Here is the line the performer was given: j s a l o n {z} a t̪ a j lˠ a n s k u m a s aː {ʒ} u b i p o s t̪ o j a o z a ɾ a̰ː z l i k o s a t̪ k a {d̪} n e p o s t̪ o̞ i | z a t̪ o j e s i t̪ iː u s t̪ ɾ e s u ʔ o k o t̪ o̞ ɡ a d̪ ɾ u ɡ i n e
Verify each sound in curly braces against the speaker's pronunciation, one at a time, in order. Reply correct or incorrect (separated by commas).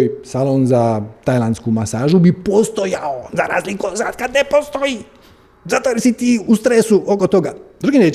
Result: correct, correct, correct